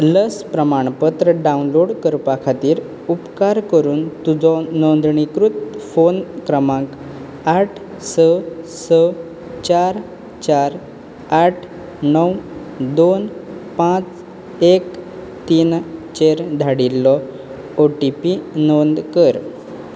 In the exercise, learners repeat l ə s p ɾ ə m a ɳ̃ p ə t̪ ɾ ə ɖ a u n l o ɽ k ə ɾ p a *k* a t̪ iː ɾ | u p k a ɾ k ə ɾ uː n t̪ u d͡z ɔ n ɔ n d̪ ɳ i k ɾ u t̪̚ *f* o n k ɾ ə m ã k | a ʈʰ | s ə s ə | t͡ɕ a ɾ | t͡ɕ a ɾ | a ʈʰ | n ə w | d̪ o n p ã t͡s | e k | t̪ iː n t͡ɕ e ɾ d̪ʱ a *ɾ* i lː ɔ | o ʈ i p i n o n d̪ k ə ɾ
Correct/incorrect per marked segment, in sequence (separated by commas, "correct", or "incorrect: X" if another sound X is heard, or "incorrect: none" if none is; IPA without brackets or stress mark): incorrect: kʰ, correct, incorrect: ɽ